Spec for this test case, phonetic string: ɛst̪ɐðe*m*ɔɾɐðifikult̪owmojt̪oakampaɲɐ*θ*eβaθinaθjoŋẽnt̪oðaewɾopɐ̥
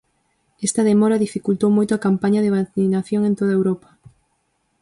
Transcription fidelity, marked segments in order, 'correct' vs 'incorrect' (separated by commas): correct, incorrect